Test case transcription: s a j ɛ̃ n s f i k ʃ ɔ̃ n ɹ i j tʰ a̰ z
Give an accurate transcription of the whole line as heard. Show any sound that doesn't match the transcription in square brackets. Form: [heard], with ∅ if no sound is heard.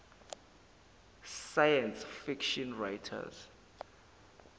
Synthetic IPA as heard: s a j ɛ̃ n s f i k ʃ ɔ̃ n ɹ [a] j tʰ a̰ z

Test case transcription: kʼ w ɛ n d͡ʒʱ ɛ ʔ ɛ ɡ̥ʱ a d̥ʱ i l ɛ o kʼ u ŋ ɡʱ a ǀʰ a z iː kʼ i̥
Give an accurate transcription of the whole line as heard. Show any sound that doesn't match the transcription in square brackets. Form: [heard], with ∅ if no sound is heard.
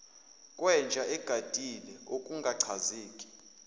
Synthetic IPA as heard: kʼ w ɛ n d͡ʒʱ [a] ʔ ɛ ɡ̥ʱ a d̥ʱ i l ɛ o kʼ u ŋ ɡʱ a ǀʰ a z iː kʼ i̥

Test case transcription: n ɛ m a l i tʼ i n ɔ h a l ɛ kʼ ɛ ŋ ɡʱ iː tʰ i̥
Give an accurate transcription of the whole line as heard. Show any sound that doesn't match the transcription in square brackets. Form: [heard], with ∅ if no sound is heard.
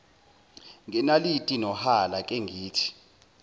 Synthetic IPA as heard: [ŋ] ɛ [n] a l i tʼ i n ɔ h a l [a] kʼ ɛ ŋ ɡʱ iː tʰ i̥

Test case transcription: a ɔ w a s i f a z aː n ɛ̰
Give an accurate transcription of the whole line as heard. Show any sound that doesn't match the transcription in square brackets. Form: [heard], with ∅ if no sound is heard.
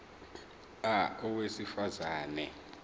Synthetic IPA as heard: a ɔ w [e] s i f a z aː n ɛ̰

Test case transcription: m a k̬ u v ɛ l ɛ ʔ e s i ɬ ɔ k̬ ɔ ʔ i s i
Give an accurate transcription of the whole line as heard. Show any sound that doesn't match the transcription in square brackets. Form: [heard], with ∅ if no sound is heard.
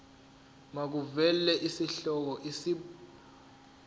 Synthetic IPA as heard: m a k̬ u v ɛ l ɛ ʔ [i] s i ɬ ɔ k̬ ɔ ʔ i s i

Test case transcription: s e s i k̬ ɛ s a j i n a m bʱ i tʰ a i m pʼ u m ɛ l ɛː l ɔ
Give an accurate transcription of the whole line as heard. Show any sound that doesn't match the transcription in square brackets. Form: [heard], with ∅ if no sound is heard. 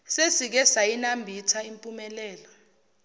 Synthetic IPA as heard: s e s i k̬ ɛ s a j i n a m bʱ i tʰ a i m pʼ u m ɛ l ɛː l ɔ

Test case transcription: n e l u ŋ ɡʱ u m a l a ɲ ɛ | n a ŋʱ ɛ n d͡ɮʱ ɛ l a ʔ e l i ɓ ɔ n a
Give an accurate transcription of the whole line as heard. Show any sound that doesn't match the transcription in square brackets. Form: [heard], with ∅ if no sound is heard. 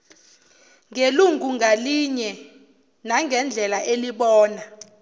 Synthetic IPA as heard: [ŋ] e l u ŋ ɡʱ u [ŋ] a l [i] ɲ ɛ | n a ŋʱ ɛ n d͡ɮʱ ɛ l a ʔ e l i ɓ [ɔː] n a

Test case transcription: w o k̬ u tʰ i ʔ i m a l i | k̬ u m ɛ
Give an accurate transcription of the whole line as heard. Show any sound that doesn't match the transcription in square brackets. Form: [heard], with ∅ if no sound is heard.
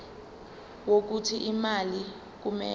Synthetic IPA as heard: w o k̬ u tʰ i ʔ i m a l i | k̬ u m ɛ

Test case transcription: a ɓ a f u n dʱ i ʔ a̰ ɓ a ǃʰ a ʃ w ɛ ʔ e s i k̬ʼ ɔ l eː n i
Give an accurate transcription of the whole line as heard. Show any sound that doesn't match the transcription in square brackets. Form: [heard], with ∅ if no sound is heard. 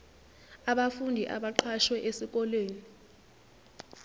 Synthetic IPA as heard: a ɓ a f u n dʱ i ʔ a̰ ɓ a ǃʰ a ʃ w ɛ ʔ e s i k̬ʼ ɔ l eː n i

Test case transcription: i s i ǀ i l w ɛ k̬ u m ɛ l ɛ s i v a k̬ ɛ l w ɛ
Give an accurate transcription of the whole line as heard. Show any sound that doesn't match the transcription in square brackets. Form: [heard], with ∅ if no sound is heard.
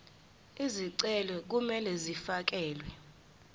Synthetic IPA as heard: i [z] i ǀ [ɛ] l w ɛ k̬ u m ɛ l ɛ [z] i [f] a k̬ [ɛː] l w ɛ

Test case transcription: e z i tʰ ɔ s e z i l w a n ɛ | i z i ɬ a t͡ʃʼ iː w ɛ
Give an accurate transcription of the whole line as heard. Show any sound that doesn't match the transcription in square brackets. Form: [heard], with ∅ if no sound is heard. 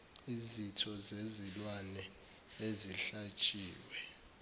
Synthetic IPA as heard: [i] z i tʰ ɔ [z] e z i l w a n ɛ | [e] z i ɬ a t͡ʃʼ iː w ɛ

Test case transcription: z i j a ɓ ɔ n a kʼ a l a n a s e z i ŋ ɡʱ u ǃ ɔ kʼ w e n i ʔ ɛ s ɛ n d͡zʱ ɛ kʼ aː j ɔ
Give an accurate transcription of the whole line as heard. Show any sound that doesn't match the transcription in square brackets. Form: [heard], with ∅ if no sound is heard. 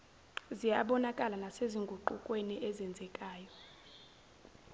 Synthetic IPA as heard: z i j a ɓ ɔ n a kʼ a l a n a s e z i ŋ ɡʱ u ǃ [u] kʼ w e n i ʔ ɛ [z] ɛ n d͡zʱ ɛ kʼ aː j ɔ

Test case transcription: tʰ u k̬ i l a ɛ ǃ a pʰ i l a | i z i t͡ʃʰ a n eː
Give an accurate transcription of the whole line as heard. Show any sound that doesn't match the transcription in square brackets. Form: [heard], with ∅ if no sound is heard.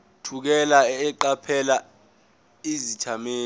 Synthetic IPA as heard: tʰ u k̬ [ɛ] l a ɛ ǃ a pʰ [ɛ] l a | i z i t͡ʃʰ a [m] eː

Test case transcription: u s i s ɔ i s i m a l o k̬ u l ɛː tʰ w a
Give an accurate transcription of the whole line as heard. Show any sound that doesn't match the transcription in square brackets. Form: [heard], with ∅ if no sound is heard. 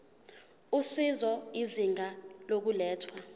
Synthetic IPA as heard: u s i [z] ɔ i [z] i [ŋ] a l o k̬ u l ɛː tʰ w a

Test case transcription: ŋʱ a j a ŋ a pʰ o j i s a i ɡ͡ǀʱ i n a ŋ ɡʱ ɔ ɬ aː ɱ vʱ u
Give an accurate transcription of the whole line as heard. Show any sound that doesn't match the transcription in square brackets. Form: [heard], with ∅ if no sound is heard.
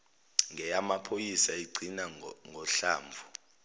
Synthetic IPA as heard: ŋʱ [ɛ] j a [m] a pʰ o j i s a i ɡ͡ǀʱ i n a ŋ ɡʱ ɔ ɬ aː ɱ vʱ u

